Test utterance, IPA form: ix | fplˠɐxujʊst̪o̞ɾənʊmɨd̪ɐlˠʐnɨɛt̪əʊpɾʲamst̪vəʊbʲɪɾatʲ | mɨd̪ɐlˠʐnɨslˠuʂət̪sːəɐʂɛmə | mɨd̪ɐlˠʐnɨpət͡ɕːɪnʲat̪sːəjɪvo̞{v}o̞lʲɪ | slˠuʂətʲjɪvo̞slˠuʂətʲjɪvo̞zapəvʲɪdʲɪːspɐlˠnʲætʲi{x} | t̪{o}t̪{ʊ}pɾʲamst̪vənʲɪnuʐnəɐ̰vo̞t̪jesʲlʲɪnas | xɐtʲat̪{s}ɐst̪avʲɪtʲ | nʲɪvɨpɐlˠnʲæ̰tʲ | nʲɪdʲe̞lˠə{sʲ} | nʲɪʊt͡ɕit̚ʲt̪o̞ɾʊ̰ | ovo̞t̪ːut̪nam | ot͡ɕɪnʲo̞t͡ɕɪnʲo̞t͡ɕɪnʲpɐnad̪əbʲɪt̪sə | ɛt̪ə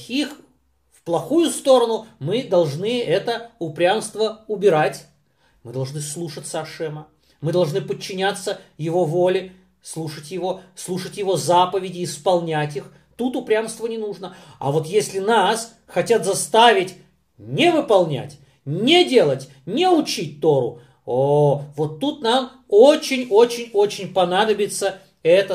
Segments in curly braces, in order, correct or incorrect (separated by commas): correct, correct, incorrect, correct, incorrect, incorrect